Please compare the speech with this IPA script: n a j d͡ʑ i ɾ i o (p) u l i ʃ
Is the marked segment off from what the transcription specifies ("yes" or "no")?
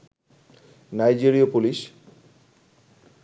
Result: no